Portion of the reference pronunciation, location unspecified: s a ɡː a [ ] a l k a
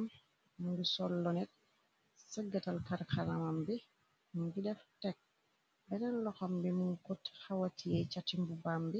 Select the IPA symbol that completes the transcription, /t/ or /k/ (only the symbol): t